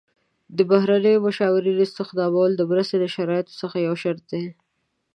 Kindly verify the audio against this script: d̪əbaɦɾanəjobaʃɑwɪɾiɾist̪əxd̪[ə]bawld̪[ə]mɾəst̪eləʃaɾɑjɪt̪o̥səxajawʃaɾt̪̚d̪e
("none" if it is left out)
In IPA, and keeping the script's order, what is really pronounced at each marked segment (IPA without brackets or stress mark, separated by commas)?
ɑ, ə